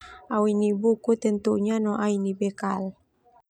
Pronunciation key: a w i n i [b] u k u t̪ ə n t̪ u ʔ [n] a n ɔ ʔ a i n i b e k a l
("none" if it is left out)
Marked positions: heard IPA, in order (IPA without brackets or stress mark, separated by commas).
b, ɲ